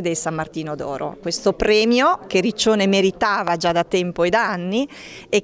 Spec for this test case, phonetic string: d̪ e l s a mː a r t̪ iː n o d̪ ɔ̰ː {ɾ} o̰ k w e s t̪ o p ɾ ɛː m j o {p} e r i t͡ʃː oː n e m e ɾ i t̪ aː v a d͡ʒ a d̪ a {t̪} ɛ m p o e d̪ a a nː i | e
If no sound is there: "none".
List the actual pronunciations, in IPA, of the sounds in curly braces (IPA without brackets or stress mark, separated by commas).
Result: ɾ, k, t̪